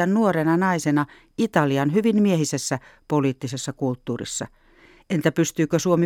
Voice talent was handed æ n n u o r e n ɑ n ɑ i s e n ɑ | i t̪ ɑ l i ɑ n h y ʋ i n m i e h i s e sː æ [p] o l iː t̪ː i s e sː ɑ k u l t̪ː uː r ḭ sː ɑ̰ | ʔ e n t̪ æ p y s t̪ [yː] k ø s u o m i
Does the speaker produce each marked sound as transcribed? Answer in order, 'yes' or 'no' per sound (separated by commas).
yes, yes